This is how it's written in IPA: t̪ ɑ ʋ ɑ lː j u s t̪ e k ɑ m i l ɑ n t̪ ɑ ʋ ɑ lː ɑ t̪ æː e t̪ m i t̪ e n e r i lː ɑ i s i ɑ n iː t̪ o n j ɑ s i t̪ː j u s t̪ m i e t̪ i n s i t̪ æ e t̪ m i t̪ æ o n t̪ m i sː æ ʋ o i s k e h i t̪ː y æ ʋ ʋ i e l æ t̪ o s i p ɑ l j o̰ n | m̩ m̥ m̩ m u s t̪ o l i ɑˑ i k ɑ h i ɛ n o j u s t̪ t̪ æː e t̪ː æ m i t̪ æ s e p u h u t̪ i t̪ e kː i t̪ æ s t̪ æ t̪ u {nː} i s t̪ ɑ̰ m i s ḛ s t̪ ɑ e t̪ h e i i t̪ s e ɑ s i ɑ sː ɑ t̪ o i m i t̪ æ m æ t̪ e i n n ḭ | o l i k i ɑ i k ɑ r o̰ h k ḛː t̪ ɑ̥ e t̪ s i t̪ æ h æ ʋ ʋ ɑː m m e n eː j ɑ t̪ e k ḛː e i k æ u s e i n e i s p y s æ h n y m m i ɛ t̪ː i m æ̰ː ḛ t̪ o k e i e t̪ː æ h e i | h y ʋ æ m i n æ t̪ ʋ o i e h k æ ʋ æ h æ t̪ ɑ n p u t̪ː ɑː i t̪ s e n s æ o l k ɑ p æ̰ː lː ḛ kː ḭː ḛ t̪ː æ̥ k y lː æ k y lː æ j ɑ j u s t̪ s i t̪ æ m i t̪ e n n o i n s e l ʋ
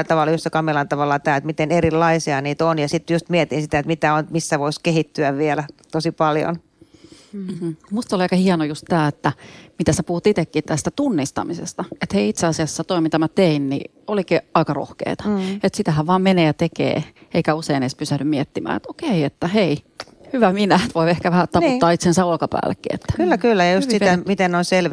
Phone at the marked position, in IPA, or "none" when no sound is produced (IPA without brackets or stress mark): nː